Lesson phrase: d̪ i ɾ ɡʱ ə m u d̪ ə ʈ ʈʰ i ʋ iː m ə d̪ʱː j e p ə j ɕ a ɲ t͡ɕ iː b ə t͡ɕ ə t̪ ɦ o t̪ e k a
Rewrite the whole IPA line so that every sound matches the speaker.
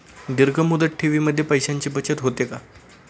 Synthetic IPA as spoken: d̪ i ɾ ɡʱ ə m u d̪ ə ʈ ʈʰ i ʋ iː m ə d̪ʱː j e p ə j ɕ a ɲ t͡ɕ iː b ə t͡ɕ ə t̪ ɦ o t̪ e k a